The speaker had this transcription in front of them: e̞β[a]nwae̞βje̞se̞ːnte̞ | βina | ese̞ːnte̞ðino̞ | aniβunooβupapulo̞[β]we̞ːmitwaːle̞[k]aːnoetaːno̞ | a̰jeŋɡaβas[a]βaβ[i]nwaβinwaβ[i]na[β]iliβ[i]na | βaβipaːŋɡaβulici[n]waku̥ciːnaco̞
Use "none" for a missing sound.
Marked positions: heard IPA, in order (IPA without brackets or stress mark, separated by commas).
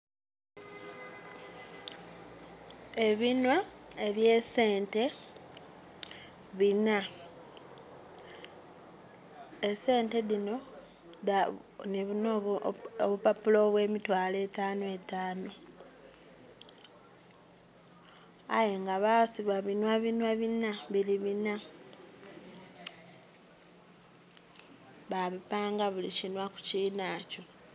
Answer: i, β, t, i, i, i, β, i, n